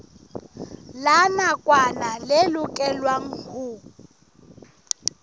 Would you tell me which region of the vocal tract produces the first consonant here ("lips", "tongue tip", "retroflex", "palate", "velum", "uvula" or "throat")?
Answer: tongue tip